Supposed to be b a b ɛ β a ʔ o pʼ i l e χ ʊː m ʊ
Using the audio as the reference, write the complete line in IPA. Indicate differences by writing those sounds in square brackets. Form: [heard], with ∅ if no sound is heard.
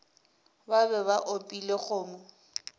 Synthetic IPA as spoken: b a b ɛ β a ʔ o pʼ i l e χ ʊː m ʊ